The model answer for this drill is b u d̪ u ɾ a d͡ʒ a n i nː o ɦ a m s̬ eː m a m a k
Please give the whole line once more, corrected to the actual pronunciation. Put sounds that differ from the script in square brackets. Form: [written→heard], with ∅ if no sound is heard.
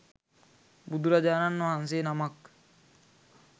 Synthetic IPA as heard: b u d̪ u ɾ a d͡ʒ a n [i→a] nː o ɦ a [m→n] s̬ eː [m→n] a m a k

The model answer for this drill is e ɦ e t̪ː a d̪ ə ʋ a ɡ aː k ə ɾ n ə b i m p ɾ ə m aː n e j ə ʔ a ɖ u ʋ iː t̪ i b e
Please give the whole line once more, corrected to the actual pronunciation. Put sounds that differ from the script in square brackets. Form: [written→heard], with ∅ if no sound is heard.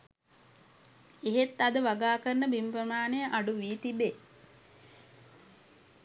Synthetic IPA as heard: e ɦ e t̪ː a d̪ ə ʋ a ɡ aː k ə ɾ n ə b i m p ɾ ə m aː n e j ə ʔ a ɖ u ʋ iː t̪ i b e

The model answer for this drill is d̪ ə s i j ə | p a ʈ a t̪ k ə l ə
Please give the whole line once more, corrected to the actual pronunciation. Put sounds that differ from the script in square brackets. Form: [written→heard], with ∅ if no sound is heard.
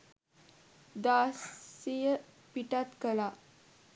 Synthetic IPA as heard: d̪ [ə→a] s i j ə | p [a→i] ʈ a t̪ k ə l [ə→a]

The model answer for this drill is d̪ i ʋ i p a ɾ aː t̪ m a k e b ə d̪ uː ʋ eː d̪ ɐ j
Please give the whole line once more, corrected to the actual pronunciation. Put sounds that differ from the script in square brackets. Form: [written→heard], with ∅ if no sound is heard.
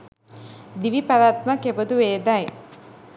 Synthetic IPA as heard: d̪ i ʋ i p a ɾ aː t̪ m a k e b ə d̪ [uː→u] ʋ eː d̪ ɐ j

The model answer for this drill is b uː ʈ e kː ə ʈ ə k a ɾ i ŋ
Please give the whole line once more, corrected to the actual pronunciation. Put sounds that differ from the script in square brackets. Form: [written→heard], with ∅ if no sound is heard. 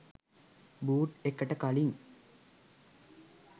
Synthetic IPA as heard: b uː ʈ e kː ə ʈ ə k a [ɾ→l] i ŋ

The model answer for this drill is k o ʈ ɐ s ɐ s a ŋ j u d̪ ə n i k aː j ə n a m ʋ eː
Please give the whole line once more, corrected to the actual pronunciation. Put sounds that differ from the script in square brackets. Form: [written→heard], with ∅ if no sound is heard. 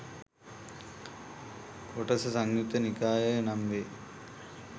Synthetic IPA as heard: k o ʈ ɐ s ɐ s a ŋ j u [d̪→t̪] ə n i k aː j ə n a m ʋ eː

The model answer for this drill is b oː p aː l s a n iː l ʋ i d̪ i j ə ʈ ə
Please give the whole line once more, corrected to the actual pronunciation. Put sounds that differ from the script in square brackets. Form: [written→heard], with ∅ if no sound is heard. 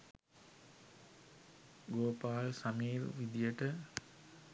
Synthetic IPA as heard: [b→ɡ] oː p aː l s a [n→m] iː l ʋ i d̪ i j ə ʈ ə

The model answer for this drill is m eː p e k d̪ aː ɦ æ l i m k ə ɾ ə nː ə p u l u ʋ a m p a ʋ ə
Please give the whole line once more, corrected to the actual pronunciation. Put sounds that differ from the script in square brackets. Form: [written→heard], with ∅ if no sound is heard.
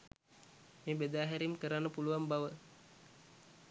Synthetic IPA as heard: m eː [p→b] e [k→∅] d̪ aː ɦ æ [l→ɾ] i m k ə ɾ [ə→a] nː ə p u l u ʋ a m [p→b] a ʋ ə

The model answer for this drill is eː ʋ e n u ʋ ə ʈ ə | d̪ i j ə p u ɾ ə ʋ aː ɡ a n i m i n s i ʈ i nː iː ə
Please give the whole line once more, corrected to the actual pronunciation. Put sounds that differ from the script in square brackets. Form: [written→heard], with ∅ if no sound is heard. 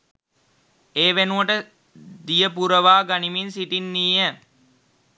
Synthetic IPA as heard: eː ʋ e n u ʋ ə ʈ ə | d̪ i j ə p u ɾ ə ʋ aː ɡ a n i m i n s i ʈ i nː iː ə

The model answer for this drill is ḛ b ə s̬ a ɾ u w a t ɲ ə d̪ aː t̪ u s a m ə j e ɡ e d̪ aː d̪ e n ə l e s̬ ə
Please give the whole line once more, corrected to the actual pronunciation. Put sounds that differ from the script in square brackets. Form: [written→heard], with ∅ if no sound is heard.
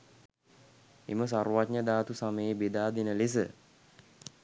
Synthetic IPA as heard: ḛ [b→m] ə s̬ a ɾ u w a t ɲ ə d̪ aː t̪ u s a m ə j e [ɡ→b] e d̪ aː d̪ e n ə l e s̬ ə

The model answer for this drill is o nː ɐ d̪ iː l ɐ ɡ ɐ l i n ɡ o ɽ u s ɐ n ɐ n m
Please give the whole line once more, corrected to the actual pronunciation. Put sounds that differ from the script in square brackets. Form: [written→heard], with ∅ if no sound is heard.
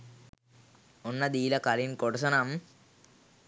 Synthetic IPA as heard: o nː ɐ d̪ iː l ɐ [ɡ→k] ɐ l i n [ɡ→k] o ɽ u s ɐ n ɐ [n→∅] m

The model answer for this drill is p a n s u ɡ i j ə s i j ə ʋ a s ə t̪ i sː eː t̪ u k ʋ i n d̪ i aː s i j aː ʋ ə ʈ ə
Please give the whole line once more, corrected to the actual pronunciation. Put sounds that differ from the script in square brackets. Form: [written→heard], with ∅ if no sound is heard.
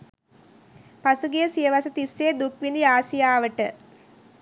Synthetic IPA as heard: p a [n→∅] s u ɡ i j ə s i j ə ʋ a s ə t̪ i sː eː [t̪→d̪] u k ʋ i n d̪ i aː s i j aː ʋ ə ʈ ə

